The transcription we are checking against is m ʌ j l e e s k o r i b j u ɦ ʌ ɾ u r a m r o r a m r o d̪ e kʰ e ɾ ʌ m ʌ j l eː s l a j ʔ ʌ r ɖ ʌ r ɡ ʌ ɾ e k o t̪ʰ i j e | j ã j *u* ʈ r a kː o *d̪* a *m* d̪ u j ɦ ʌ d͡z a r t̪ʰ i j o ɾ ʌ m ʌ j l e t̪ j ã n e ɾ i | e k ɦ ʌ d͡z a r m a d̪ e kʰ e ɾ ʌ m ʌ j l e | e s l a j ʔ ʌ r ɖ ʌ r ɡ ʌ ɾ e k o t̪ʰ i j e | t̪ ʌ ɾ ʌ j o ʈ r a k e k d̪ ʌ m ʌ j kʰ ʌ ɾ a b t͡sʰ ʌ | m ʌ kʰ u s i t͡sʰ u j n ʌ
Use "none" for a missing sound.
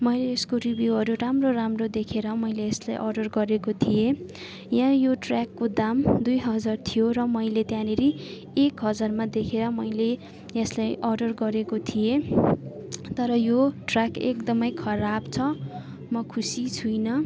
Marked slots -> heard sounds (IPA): o, d̪, m

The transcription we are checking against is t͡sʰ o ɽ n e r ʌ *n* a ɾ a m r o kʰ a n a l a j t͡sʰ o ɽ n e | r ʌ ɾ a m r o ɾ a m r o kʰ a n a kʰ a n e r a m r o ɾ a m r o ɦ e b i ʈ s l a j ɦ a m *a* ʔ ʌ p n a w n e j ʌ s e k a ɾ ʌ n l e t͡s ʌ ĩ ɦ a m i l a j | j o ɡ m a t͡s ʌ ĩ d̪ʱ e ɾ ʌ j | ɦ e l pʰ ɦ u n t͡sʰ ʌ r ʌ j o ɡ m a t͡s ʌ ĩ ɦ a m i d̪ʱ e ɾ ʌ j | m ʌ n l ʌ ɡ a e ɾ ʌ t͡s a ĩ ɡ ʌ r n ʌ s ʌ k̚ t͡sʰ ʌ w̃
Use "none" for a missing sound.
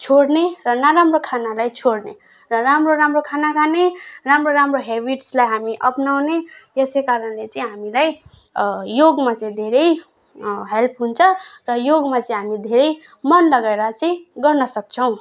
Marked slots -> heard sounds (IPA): n, i

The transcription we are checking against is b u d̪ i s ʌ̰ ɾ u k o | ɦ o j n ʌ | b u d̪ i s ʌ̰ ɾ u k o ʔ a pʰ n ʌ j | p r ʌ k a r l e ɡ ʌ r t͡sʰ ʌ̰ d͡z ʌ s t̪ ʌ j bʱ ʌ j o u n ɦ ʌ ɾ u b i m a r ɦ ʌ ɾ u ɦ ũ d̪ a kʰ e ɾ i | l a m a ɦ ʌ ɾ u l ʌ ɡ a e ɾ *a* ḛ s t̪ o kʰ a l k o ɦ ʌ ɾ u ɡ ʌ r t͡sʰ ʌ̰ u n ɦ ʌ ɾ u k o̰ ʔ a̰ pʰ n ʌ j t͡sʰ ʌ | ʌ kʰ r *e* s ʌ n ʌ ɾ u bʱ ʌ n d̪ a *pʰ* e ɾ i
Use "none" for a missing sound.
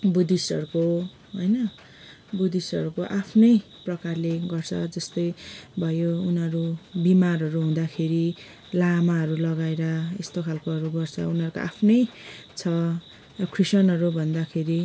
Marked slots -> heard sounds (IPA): ʌ, i, kʰ

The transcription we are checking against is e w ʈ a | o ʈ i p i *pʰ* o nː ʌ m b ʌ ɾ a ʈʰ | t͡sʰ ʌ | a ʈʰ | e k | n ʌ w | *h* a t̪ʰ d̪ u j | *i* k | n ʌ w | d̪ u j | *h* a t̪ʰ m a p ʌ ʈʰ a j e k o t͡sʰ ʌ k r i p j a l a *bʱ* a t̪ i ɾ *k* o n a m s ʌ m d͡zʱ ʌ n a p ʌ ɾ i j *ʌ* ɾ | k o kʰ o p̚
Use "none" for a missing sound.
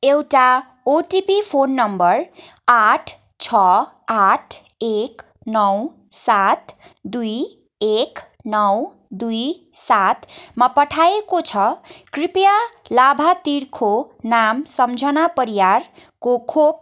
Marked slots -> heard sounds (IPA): pʰ, s, e, s, bʱ, kʰ, a

